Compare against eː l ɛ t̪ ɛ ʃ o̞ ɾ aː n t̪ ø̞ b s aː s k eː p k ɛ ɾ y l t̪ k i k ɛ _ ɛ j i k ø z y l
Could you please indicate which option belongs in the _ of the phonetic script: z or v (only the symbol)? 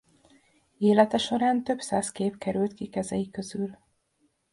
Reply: z